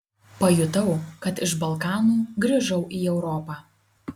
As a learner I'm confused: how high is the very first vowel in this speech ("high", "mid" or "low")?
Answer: low